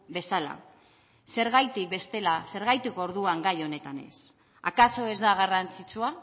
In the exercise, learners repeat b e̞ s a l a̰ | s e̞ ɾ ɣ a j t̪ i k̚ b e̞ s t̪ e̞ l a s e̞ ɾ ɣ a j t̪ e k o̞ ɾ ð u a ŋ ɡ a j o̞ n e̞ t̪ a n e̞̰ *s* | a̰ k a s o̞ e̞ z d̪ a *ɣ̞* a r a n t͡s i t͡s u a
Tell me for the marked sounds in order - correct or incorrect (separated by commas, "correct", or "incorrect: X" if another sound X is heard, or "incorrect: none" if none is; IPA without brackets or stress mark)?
correct, correct